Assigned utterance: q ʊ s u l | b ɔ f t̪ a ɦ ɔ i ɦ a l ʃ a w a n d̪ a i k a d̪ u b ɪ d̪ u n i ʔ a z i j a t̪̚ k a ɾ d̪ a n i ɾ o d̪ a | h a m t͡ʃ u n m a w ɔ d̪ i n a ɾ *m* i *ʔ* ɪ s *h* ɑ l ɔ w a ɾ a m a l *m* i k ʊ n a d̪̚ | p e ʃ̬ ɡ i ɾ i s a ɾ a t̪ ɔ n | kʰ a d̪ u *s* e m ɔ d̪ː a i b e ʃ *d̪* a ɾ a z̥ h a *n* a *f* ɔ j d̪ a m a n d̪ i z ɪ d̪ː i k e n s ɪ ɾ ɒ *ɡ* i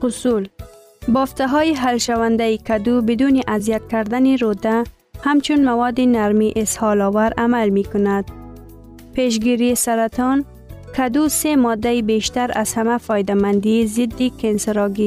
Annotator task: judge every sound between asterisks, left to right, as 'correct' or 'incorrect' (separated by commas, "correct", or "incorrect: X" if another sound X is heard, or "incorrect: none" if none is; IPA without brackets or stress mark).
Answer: correct, correct, correct, correct, correct, incorrect: t̪, incorrect: m, correct, correct